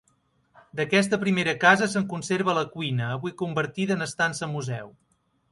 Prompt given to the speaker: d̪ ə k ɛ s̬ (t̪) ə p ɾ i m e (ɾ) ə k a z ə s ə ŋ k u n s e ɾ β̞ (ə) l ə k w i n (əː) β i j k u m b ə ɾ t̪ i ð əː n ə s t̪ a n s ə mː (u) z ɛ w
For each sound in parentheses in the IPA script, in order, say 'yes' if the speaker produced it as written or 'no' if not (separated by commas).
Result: yes, yes, yes, yes, yes